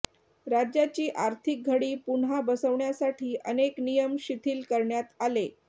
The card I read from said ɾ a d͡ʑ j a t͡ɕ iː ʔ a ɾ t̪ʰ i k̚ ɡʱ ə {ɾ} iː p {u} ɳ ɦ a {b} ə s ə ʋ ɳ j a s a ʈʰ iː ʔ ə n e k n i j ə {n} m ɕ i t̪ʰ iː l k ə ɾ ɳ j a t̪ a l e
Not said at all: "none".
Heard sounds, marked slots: ɽ, u, b, none

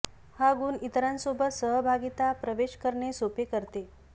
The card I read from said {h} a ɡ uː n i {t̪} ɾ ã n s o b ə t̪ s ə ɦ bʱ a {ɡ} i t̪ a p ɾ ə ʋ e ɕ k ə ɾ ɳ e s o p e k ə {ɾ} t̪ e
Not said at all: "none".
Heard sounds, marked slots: h, t̪, ɡ, ɾ

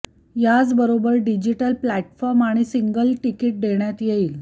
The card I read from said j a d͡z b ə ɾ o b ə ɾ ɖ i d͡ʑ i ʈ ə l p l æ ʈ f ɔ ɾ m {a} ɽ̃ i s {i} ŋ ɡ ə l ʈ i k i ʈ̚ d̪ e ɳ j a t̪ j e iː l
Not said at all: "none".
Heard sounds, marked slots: a, i

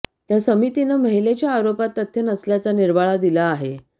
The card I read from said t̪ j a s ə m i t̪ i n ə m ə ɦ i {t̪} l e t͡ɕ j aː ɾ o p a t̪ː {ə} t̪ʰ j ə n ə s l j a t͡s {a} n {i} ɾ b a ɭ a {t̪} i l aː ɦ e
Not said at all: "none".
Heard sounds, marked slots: none, ə, a, i, d̪

